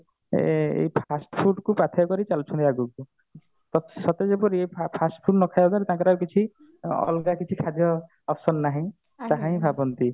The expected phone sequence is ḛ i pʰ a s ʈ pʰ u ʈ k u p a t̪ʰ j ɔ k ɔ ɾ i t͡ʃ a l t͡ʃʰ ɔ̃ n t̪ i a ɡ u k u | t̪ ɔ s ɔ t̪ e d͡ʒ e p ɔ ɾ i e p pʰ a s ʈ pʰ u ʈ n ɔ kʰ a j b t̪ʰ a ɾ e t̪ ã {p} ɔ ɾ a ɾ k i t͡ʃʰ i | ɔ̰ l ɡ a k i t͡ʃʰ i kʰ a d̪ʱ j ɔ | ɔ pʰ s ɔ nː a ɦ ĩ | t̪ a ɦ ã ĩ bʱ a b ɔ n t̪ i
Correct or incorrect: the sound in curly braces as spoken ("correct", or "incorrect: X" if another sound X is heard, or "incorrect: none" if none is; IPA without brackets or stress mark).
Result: incorrect: k